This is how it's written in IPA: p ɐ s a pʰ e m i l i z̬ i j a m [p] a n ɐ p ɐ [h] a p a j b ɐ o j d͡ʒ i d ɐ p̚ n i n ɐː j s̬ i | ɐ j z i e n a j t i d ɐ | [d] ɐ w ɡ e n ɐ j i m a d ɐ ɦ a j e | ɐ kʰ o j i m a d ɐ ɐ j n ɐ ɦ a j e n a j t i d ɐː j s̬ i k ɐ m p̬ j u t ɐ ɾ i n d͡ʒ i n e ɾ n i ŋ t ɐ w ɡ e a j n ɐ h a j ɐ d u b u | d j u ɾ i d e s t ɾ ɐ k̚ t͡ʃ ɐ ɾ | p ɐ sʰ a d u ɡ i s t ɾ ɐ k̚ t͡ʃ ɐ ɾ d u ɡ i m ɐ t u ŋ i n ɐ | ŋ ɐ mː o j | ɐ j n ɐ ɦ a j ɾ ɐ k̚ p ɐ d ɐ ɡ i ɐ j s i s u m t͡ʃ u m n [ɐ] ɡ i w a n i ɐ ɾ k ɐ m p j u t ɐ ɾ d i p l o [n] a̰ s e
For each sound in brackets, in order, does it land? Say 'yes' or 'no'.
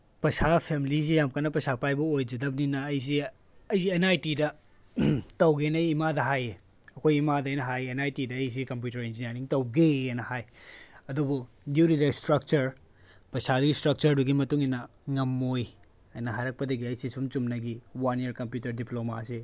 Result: no, no, no, yes, no

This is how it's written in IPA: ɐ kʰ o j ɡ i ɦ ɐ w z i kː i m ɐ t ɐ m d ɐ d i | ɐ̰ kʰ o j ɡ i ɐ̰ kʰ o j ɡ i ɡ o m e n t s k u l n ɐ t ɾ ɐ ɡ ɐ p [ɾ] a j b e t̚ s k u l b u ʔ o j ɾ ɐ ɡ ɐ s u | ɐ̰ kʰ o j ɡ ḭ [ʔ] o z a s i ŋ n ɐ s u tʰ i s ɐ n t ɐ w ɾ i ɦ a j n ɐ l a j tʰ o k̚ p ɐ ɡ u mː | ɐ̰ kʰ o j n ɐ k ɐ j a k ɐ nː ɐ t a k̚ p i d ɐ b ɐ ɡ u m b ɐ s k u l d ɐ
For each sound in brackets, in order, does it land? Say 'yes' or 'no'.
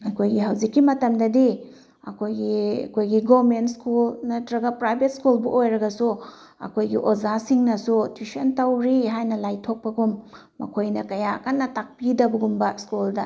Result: yes, yes

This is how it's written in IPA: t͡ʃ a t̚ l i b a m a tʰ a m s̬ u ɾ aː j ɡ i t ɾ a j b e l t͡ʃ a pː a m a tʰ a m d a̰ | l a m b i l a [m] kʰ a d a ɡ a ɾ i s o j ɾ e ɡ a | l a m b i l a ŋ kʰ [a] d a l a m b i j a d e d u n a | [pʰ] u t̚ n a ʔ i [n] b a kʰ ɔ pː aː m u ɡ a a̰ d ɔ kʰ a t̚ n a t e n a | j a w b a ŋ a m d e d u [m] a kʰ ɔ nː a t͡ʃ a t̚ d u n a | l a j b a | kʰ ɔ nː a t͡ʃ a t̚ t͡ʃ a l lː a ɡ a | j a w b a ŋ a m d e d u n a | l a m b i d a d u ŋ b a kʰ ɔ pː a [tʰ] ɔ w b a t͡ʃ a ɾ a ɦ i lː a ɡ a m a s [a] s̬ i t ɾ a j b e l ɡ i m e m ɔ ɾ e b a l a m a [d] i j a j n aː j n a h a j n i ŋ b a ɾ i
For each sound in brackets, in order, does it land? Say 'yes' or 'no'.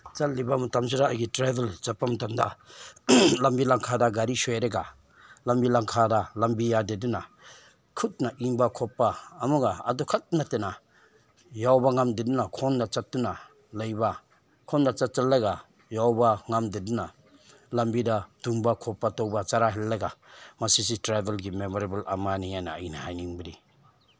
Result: no, yes, no, no, no, no, no, no

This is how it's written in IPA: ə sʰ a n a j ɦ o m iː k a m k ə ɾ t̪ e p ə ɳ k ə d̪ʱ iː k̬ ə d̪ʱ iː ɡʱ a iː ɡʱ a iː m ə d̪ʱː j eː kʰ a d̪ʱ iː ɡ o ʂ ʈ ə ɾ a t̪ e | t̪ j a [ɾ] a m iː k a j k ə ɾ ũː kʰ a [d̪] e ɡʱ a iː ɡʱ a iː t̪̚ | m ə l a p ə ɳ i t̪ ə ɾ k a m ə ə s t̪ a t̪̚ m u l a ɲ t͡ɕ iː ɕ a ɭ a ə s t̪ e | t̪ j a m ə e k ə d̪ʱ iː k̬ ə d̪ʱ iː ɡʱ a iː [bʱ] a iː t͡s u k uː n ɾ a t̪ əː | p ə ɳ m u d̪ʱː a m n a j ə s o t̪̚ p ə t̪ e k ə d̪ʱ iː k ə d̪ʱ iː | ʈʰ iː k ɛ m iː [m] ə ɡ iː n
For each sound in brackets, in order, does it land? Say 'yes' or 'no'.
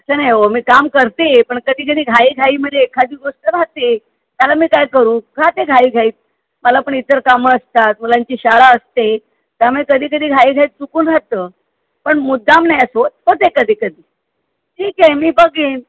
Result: no, no, no, no

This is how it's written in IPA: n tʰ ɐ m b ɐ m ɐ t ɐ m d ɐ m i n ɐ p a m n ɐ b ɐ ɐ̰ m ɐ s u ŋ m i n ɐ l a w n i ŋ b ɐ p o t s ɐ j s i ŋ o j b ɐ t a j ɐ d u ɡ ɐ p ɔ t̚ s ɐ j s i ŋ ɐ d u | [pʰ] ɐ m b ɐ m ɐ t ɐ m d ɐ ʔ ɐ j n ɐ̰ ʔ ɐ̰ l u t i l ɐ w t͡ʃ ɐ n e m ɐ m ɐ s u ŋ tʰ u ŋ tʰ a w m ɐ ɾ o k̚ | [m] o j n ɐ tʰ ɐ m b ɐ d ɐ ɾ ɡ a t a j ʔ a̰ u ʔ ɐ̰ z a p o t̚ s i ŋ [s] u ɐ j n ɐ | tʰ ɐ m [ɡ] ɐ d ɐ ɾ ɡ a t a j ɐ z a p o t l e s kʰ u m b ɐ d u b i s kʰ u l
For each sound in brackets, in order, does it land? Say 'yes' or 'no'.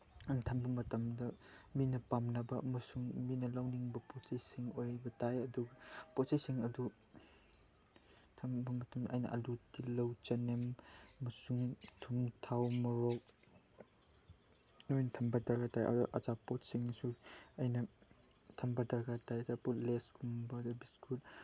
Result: no, no, yes, no

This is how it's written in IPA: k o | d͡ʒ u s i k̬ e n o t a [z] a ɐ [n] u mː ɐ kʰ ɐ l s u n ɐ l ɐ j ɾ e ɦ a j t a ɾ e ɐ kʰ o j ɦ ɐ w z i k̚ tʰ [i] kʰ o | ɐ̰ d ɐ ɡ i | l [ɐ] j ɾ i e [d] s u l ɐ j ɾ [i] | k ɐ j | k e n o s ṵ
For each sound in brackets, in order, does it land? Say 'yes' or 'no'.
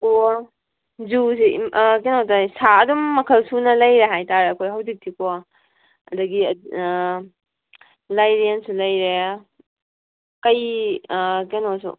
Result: no, no, yes, no, no, no

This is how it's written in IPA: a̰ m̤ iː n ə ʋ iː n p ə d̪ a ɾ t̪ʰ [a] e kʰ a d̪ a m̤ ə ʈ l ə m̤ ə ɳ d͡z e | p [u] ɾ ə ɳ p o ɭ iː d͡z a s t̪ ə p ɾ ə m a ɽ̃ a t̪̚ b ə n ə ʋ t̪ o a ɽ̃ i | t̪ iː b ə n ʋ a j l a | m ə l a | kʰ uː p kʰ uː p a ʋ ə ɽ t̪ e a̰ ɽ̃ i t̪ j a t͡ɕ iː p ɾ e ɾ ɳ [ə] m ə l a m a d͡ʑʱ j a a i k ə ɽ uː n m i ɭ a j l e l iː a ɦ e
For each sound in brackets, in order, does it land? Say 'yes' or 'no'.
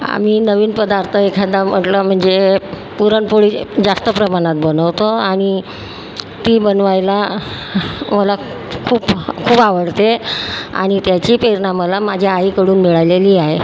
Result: no, yes, no

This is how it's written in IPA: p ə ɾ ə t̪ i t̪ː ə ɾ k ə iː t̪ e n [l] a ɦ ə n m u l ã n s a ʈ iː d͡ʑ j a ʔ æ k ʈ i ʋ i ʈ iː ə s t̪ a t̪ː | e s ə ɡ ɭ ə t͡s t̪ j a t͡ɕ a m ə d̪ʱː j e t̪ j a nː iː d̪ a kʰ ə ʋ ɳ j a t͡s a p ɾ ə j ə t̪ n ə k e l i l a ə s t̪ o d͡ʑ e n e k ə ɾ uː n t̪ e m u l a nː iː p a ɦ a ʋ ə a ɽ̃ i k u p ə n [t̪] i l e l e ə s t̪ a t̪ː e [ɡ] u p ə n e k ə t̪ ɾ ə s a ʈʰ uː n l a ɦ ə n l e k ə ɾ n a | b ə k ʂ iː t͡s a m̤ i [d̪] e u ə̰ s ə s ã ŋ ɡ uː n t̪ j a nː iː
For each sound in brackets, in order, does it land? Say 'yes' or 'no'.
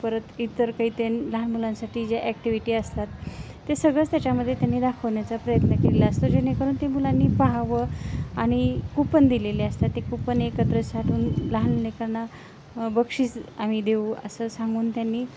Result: yes, no, no, yes

